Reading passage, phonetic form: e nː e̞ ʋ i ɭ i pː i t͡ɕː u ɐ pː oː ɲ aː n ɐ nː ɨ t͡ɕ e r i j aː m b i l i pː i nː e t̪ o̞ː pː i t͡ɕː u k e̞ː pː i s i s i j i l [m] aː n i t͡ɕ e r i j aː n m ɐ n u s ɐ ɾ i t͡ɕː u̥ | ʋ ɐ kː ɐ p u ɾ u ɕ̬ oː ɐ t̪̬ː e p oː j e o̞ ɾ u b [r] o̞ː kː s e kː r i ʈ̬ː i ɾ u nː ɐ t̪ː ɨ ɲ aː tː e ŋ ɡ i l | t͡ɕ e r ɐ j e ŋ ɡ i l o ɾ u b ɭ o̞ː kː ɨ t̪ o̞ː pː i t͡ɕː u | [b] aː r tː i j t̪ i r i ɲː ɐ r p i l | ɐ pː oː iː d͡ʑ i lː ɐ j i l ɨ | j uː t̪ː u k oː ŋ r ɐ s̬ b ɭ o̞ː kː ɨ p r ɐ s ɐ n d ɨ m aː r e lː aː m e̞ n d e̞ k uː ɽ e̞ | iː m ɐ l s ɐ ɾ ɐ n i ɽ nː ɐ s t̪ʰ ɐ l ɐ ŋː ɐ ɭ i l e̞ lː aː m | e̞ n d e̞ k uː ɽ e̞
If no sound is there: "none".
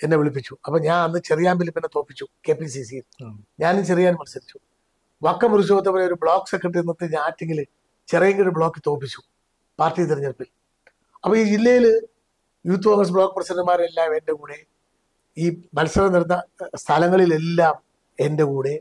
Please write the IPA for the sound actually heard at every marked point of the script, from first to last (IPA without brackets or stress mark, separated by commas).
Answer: ɲ, ɭ, p